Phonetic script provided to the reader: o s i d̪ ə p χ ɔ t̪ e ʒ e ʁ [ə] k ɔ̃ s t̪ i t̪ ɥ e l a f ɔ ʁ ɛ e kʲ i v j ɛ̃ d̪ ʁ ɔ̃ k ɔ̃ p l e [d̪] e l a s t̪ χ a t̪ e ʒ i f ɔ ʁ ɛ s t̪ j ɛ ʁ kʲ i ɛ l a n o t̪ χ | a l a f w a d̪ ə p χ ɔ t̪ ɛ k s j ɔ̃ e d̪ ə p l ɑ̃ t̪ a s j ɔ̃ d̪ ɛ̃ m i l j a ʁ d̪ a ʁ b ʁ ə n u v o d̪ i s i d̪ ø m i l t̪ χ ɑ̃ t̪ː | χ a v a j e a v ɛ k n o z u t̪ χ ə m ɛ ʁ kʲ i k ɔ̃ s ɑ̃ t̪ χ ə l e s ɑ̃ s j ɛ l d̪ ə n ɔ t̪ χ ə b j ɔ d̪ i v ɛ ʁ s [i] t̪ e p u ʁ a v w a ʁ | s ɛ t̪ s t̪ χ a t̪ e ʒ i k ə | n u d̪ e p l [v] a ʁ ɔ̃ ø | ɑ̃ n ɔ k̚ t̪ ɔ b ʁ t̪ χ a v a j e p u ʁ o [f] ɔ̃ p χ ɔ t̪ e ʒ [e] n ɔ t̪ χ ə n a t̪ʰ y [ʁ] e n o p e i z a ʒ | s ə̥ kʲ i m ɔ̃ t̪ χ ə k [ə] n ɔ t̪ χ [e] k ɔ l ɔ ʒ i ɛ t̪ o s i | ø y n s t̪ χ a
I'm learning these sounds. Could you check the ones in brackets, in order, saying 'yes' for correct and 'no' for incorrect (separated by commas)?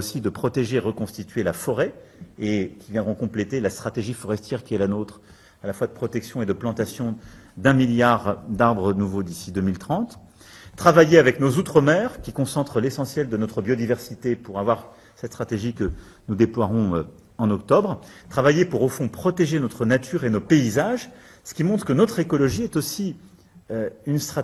yes, no, yes, no, yes, yes, yes, yes, yes